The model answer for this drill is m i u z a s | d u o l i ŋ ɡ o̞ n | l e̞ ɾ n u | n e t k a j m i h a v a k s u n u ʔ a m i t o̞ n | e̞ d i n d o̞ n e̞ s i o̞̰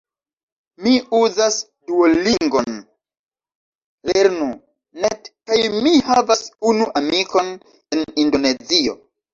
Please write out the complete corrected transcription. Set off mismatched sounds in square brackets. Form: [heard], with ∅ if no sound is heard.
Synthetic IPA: m i u z a s | d u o l i ŋ ɡ o̞ n | l e̞ ɾ n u | n e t k a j m i h a v a [∅] s u n u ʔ a m i [k] o̞ n | e̞ [n] i n d o̞ n e̞ [z] i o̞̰

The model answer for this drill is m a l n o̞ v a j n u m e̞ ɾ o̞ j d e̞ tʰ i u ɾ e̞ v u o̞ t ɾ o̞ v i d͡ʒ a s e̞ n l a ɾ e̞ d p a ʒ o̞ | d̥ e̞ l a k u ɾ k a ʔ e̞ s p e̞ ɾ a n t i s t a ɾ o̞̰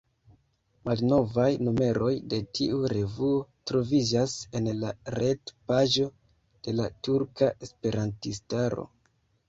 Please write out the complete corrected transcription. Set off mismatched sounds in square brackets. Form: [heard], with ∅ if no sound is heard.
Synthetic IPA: m a l n o̞ v a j n u m e̞ ɾ o̞ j d e̞ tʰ i u ɾ e̞ v u o̞ t ɾ o̞ v i d͡ʒ a s e̞ n l a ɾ e̞ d p a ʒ o̞ | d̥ e̞ l a [t] u ɾ k a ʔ e̞ s p e̞ ɾ a n t i s t a ɾ o̞̰

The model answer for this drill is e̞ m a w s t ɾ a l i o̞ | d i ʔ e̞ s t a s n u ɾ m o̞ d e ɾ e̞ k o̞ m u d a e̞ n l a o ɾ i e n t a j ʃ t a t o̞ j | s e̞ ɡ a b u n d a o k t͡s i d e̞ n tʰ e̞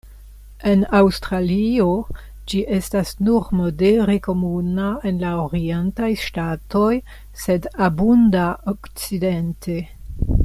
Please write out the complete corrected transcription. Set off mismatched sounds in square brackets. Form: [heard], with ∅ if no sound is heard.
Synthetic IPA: e̞ [n] a w s t ɾ a l i o̞ | [d͡ʒ] i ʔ e̞ s t a s n u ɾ m o̞ d e ɾ e̞ k o̞ m u [n] a e̞ n l a o ɾ i e n t a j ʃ t a t o̞ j | s e̞ [d] a b u n d a o k t͡s i d e̞ n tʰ e̞

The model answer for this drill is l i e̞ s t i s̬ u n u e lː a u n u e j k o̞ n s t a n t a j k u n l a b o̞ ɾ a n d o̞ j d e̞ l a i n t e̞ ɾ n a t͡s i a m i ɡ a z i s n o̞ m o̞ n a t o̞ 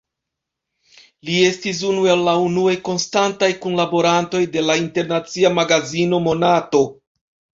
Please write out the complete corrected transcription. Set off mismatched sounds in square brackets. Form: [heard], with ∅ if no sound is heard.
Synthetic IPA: l i e̞ s t i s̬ u n u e lː a u n u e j k o̞ n s t a n t a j k u n l a b o̞ ɾ a n [t] o̞ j d e̞ l a i n t e̞ ɾ n a t͡s i a m [a] ɡ a z i [∅] n o̞ m o̞ n a t o̞

